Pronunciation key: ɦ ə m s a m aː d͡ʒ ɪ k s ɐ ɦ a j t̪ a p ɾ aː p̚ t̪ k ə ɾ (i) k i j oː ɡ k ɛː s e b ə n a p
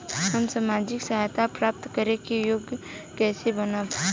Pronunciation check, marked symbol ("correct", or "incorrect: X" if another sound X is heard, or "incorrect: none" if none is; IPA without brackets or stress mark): incorrect: e